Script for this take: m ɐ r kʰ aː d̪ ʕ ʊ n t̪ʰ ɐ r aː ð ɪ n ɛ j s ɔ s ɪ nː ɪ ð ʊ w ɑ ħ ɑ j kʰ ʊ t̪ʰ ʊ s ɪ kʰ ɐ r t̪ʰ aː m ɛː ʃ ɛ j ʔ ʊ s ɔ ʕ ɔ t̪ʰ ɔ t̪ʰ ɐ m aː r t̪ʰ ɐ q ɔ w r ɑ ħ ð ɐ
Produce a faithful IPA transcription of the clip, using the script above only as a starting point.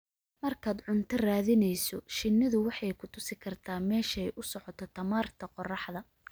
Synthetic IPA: m ɐ r kʰ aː d̪ ʕ ʊ n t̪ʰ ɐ r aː ð ɪ n ɛ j s ɔ ʃ ɪ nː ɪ ð ʊ w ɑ ħ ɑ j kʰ ʊ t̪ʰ ʊ s ɪ kʰ ɐ r t̪ʰ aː m ɛː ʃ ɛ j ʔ ʊ s ɔ ʕ ɔ t̪ʰ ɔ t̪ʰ ɐ m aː r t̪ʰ ɐ q ɔ r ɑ ħ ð ɐ